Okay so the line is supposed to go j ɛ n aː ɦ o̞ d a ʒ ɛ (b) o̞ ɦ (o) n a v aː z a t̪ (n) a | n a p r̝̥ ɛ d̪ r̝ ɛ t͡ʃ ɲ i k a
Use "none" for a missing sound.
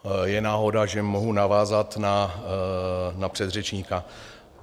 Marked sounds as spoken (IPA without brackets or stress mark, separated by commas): m, u, n